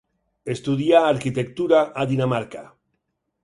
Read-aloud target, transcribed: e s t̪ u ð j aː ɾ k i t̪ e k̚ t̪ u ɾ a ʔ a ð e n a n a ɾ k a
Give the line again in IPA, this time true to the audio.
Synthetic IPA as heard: e s t̪ u ð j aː ɾ k i t̪ e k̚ t̪ u ɾ a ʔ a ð i n a m a ɾ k a